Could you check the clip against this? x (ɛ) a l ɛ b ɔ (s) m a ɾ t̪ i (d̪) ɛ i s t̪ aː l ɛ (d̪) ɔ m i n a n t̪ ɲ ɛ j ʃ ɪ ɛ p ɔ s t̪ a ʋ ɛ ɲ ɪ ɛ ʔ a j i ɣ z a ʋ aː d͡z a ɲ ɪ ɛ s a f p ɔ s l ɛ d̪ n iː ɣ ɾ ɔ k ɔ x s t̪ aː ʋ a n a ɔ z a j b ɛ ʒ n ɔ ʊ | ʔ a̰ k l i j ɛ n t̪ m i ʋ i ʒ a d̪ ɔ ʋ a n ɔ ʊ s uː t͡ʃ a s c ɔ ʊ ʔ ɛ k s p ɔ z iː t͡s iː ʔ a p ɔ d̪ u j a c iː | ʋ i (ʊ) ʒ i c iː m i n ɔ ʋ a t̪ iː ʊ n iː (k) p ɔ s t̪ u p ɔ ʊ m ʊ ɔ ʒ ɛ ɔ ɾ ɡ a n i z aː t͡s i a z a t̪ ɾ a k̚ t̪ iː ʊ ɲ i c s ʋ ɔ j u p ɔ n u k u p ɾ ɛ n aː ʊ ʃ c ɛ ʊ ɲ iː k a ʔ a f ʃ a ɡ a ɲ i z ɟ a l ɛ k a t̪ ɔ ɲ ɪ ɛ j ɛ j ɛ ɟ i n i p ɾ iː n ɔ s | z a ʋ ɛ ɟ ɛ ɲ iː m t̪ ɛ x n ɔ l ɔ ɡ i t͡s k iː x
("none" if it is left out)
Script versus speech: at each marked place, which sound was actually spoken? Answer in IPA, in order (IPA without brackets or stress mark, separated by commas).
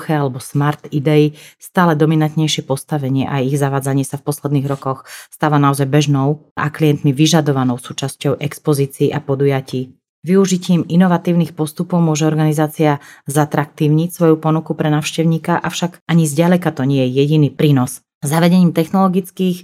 ɛ, s, d̪, d̪, u, x